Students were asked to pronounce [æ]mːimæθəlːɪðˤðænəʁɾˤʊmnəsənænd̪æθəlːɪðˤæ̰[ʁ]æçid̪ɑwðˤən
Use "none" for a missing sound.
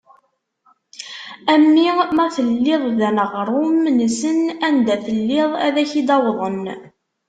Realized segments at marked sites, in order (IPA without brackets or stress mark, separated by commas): æ, ð